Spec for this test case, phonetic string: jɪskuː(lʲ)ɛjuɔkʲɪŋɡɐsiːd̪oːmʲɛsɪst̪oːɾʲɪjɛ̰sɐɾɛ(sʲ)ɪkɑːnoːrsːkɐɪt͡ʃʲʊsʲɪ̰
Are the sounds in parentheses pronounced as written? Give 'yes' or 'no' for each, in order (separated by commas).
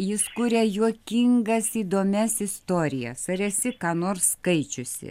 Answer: no, yes